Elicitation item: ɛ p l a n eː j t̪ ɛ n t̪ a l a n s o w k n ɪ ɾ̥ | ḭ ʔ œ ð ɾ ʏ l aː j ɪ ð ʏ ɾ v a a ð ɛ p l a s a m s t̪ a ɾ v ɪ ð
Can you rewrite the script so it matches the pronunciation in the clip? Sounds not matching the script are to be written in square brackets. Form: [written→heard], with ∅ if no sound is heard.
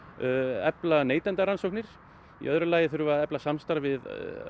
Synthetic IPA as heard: ɛ p l a n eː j t̪ ɛ n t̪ a [l→ɾ] a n s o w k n ɪ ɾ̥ | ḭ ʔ œ ð ɾ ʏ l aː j ɪ [ð→θ] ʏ ɾ v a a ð ɛ p l a s a m s t̪ a ɾ v ɪ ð